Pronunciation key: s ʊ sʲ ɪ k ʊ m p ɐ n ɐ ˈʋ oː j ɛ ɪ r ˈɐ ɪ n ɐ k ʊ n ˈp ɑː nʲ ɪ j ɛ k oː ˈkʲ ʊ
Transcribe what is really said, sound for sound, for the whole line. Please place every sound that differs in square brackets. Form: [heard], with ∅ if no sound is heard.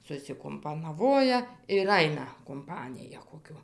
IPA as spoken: s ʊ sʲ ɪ k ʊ m p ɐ n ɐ ˈʋ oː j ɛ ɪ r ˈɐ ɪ n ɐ k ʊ [m] ˈp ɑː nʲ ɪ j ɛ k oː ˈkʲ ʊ